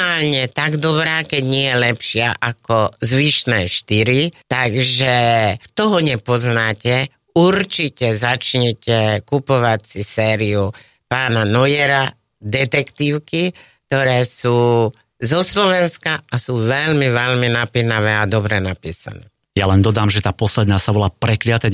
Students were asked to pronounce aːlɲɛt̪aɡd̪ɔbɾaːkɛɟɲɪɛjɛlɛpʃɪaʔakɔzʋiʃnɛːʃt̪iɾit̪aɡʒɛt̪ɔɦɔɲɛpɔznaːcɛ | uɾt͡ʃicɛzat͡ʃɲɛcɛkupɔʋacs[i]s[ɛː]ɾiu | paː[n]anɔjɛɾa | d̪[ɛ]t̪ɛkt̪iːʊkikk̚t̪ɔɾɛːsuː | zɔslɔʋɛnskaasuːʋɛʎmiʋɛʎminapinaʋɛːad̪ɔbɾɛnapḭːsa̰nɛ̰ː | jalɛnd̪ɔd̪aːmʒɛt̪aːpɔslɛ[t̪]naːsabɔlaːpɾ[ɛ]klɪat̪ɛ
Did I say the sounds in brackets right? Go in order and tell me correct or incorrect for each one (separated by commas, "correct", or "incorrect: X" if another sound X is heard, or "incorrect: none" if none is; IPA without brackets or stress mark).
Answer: correct, correct, correct, correct, incorrect: d̪, correct